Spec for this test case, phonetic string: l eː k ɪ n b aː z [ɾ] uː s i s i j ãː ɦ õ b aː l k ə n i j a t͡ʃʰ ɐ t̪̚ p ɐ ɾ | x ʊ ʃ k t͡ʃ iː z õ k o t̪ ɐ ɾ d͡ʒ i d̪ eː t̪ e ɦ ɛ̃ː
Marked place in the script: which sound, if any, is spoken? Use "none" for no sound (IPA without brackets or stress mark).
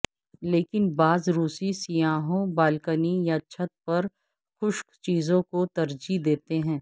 ɾ